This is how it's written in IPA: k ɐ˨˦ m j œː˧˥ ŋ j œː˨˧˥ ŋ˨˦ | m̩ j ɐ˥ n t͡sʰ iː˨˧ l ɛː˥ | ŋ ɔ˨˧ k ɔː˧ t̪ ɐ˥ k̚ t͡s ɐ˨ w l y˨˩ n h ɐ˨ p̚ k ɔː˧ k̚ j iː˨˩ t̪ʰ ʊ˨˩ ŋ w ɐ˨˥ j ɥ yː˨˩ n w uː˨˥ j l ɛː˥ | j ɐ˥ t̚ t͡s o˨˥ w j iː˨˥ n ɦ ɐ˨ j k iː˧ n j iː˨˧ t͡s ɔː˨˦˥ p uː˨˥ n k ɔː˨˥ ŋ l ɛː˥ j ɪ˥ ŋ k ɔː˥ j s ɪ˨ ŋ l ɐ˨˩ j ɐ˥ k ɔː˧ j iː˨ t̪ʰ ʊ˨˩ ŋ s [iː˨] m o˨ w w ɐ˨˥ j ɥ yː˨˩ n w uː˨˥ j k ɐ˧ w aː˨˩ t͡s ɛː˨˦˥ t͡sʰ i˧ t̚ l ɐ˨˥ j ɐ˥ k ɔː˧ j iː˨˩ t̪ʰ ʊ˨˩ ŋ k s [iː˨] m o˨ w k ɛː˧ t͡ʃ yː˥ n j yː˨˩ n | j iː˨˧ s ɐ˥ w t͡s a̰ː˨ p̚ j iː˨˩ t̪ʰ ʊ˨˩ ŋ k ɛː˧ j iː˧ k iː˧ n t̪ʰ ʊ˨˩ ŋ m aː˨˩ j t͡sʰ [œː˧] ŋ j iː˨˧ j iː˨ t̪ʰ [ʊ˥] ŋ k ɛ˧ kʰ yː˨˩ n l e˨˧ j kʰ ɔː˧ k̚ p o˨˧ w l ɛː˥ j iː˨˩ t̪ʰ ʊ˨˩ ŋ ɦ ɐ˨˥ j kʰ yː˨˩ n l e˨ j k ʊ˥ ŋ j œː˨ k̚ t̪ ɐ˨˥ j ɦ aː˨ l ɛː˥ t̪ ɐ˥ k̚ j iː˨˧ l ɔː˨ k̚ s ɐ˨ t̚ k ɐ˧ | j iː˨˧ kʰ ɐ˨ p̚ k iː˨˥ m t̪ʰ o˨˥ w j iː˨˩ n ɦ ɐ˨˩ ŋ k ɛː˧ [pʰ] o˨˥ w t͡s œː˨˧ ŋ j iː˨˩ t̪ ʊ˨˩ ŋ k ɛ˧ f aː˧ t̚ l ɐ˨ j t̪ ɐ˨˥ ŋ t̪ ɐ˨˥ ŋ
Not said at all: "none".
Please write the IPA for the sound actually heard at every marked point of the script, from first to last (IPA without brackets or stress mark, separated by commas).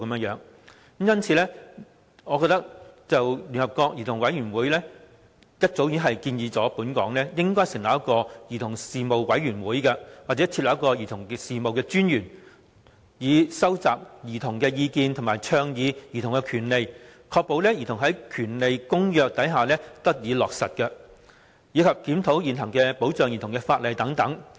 iː˨, iː˨, œː˧, ʊ˨˩, p